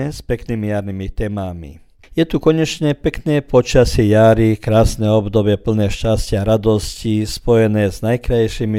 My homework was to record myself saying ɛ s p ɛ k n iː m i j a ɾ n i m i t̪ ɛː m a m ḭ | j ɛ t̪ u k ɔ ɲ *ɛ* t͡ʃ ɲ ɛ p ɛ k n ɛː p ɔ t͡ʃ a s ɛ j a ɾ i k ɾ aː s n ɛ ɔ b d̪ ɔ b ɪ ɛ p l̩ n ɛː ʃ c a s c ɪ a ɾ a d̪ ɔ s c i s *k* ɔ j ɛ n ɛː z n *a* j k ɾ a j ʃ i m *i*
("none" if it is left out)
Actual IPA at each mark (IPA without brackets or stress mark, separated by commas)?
ɛ, p, a, i